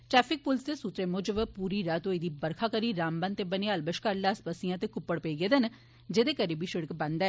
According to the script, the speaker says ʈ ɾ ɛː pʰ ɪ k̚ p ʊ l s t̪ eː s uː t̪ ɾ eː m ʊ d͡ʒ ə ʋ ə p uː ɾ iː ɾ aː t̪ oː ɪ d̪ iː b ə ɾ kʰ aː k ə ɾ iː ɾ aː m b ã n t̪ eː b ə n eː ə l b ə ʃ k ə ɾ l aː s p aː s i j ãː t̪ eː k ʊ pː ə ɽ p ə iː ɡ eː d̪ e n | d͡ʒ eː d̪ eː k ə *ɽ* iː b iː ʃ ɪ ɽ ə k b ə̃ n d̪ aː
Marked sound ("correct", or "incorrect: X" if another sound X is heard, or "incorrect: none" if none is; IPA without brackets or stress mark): incorrect: ɾ